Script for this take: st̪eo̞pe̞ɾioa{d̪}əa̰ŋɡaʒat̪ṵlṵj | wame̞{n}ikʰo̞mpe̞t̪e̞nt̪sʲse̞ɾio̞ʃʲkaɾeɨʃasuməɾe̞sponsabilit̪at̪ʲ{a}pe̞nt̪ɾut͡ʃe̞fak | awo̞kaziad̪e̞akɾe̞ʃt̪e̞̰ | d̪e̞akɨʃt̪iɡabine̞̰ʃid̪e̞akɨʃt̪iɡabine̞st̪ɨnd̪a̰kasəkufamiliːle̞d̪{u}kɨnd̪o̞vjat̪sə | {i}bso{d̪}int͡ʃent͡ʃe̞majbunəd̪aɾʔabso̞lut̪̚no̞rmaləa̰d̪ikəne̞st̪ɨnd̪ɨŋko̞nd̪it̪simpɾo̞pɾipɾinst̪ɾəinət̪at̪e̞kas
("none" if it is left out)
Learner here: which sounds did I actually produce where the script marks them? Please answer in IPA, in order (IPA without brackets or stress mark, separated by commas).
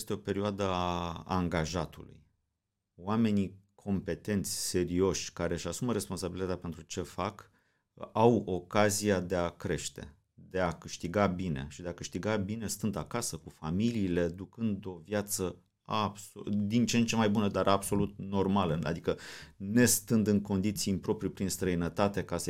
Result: d̪, n, a, u, a, d̪